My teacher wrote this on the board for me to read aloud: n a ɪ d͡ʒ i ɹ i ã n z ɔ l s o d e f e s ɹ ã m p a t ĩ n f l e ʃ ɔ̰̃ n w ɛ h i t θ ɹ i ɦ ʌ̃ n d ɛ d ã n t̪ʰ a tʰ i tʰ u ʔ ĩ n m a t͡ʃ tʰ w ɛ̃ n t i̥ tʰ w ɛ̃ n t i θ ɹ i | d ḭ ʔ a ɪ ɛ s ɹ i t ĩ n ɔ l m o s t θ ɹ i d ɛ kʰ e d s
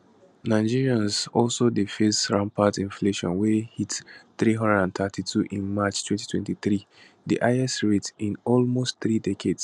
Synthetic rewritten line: n a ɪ d͡ʒ i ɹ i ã n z ɔ l s o d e f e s ɹ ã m p a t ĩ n f l e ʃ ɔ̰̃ n w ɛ h i t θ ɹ i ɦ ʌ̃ n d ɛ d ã n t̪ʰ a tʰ i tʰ u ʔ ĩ n m a t͡ʃ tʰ w ɛ̃ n t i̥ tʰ w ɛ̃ n t i θ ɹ i | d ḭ ʔ a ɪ ɛ s ɹ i t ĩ n ɔ l m o s t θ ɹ i d ɛ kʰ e d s